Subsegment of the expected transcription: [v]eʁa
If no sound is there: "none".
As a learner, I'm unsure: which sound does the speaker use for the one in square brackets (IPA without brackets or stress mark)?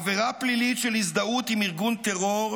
v